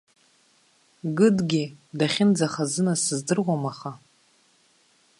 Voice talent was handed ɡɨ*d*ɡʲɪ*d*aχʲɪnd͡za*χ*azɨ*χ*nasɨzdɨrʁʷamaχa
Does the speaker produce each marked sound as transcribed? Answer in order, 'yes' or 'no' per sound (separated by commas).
yes, yes, yes, no